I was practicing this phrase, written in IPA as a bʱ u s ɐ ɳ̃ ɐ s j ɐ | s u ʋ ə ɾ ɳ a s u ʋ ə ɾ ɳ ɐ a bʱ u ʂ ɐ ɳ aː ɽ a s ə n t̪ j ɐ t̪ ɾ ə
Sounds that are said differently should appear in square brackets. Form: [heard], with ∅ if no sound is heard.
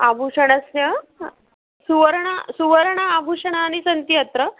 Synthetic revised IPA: a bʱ u [ʂ] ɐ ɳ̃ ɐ s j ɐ | s u ʋ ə ɾ ɳ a s u ʋ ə ɾ ɳ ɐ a bʱ u ʂ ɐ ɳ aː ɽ [i] s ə n t̪ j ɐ t̪ ɾ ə